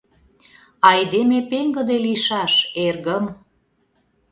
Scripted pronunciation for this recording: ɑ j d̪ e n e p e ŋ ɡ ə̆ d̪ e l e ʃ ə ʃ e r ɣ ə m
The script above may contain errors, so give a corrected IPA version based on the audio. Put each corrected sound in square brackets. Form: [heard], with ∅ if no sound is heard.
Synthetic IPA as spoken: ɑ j d̪ e [m] e p e ŋ ɡ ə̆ d̪ e l [i] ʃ [ɑ] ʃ e r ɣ ə m